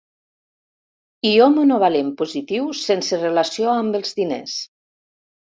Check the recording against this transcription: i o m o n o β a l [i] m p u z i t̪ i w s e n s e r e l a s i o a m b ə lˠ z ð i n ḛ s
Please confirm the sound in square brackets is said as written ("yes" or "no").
no